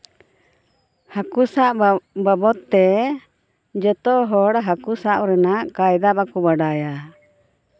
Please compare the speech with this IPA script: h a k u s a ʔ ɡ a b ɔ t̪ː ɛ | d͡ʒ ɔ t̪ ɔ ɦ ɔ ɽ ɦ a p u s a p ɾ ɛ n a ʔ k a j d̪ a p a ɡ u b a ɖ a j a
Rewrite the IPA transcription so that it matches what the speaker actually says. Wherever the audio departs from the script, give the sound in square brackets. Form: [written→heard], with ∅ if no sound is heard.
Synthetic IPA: h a k u s a ʔ [ɡ→b] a b ɔ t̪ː ɛ | d͡ʒ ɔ t̪ ɔ ɦ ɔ ɽ ɦ a [p→k] u s a [p→ʔ] ɾ ɛ n a ʔ k a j d̪ a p a [ɡ→k] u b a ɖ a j a

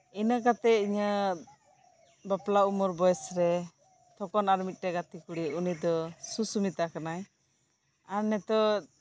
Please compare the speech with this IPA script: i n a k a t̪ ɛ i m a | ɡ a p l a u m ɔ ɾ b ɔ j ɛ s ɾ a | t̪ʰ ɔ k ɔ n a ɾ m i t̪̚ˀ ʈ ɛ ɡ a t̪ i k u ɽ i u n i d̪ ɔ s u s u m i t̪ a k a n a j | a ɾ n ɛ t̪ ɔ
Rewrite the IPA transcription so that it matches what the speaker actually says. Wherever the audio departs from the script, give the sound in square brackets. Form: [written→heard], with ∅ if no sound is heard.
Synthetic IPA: i n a k a t̪ ɛ i [m→ɲ] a | [ɡ→b] a p l a u m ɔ ɾ b ɔ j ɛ s ɾ [a→ɛ] | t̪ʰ ɔ k ɔ n a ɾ m i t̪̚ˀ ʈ ɛ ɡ a t̪ i k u ɽ i u n i d̪ ɔ s u s u m i t̪ a k a n a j | a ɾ n ɛ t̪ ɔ

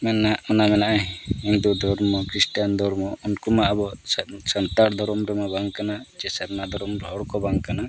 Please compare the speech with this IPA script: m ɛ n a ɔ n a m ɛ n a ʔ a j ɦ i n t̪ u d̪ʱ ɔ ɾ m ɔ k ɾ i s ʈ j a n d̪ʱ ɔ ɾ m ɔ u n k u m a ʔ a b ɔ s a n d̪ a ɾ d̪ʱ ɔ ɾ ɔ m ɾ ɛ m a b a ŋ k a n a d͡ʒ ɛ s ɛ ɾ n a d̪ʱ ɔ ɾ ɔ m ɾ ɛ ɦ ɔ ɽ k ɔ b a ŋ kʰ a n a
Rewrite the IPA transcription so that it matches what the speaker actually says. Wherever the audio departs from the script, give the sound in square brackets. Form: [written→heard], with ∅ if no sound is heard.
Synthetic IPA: m ɛ n a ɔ n a m ɛ n a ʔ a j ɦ i n [t̪→d̪] u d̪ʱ ɔ ɾ m ɔ k ɾ i s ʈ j a n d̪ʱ ɔ ɾ m ɔ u n k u m a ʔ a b ɔ s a n [d̪→t̪] a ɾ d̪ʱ ɔ ɾ ɔ m ɾ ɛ m a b a ŋ k a n a d͡ʒ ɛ s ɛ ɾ n a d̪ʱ ɔ ɾ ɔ m ɾ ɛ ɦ ɔ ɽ k ɔ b a ŋ [kʰ→k] a n a

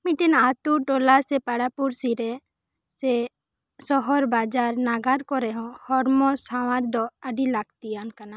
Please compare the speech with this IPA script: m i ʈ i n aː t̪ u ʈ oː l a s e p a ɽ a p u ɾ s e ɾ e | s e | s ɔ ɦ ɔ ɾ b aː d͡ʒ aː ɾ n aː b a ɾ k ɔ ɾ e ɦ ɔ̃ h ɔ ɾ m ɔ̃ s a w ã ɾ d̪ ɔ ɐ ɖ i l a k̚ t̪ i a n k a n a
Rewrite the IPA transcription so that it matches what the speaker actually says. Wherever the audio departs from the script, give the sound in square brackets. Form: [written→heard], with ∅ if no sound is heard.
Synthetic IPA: m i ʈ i n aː t̪ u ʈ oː l a s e p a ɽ a p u ɾ s [e→i] ɾ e | s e | s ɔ ɦ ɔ ɾ b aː d͡ʒ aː ɾ n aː [b→ɡ] a ɾ k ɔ ɾ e ɦ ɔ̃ h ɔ ɾ m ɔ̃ s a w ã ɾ d̪ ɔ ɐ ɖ i l a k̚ t̪ i a n k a n a

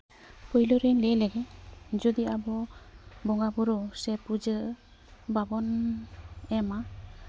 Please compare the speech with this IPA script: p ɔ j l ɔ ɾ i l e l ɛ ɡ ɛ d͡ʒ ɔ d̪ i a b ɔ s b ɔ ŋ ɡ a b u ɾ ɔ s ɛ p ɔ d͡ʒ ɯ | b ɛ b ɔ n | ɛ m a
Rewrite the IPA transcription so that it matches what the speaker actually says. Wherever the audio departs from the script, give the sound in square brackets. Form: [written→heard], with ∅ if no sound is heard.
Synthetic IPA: p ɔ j l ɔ ɾ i l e l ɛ ɡ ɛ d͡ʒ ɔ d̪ i a b ɔ [s→∅] b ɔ ŋ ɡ a b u ɾ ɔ s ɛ p [ɔ→u] d͡ʒ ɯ | b [ɛ→a] b ɔ n | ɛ m a

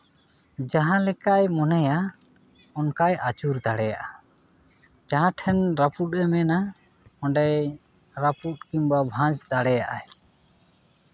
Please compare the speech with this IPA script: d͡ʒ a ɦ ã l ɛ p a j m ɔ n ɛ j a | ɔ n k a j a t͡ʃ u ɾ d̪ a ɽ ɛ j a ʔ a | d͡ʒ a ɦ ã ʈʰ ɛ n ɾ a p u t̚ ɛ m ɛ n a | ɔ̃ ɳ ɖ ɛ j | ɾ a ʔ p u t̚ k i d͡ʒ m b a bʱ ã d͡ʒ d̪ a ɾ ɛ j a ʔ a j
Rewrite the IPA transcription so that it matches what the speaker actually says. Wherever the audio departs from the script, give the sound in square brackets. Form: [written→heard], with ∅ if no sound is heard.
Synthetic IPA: d͡ʒ a ɦ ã l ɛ [p→k] a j m ɔ n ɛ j a | ɔ n k a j a t͡ʃ u ɾ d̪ a ɽ ɛ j a ʔ a | d͡ʒ a ɦ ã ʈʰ ɛ n ɾ a p u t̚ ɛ m ɛ n a | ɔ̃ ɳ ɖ ɛ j | ɾ a [ʔ→∅] p u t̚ k i [d͡ʒ→∅] m b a bʱ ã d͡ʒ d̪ a [ɾ→ɽ] ɛ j a ʔ a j

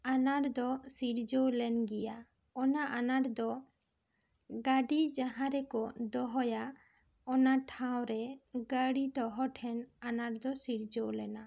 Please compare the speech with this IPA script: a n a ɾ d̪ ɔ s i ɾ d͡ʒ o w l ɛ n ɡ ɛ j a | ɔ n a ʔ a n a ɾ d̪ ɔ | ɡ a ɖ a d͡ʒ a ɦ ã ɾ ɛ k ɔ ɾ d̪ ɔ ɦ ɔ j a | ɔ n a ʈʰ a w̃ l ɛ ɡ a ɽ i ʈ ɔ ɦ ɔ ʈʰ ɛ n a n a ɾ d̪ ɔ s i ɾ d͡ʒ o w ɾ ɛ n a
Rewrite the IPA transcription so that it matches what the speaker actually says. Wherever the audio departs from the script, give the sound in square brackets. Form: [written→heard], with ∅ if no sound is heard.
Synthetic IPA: a n a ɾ d̪ ɔ s i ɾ d͡ʒ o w l ɛ n ɡ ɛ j a | ɔ n a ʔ a n a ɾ d̪ ɔ | ɡ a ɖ [a→i] d͡ʒ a ɦ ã ɾ ɛ k ɔ [ɾ→∅] d̪ ɔ ɦ ɔ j a | ɔ n a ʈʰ a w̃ [l→ɾ] ɛ ɡ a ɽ i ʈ ɔ ɦ ɔ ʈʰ ɛ n a n a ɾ d̪ ɔ s i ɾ d͡ʒ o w [ɾ→l] ɛ n a

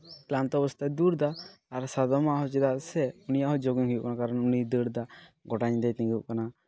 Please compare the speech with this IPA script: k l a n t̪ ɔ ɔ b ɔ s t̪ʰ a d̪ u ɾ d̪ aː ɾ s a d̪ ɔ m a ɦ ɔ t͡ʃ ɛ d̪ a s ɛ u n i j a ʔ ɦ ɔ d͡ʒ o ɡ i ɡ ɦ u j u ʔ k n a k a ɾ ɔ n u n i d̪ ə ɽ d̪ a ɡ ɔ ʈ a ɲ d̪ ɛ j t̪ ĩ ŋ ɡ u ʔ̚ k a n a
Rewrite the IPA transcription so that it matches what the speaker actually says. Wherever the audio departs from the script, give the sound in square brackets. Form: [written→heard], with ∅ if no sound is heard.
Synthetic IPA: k l a n t̪ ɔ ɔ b ɔ s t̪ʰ a d̪ u ɾ d̪ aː ɾ s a d̪ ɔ m a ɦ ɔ t͡ʃ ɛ d̪ a s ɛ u n i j a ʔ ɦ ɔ d͡ʒ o ɡ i [ɡ→ŋ] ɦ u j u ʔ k n a k a ɾ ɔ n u n i d̪ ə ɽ d̪ a ɡ ɔ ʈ a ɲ d̪ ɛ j t̪ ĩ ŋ ɡ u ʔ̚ k a n a

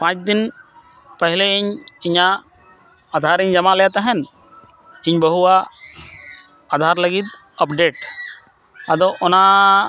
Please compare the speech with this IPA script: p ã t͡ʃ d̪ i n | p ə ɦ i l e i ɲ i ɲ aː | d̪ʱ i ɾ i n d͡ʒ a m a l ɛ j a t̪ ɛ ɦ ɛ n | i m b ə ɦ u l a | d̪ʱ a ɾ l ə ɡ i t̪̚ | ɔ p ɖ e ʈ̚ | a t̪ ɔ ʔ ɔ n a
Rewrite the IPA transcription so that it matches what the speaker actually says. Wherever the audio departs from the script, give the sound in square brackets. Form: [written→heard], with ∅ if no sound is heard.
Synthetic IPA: p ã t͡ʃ d̪ i n | p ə ɦ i l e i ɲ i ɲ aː | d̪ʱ [i→a] ɾ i [n→ɲ] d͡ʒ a m a l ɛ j a t̪ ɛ ɦ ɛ n | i [m→ɲ] b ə ɦ u [l→∅] a | d̪ʱ a ɾ l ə ɡ i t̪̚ | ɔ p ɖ e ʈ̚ | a [t̪→d̪] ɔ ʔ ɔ n a

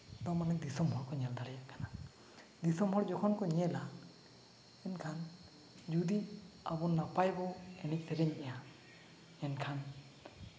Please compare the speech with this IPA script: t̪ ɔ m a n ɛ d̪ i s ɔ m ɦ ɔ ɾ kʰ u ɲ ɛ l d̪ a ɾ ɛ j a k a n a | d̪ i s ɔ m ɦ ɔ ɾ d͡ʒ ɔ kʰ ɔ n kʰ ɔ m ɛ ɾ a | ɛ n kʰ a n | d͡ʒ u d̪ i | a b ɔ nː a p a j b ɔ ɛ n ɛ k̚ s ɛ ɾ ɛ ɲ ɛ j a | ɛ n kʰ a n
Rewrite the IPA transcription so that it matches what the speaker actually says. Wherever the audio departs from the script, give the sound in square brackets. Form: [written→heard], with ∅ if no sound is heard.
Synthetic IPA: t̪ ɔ m a n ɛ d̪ i s ɔ m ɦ ɔ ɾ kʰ [u→ɔ] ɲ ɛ l d̪ a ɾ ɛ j a k a n a | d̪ i s ɔ m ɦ ɔ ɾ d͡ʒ ɔ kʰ ɔ n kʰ ɔ [m→ɲ] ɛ [ɾ→l] a | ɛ n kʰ a n | d͡ʒ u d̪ i | a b ɔ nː a p a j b ɔ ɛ n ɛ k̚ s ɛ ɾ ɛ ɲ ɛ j a | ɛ n kʰ a n

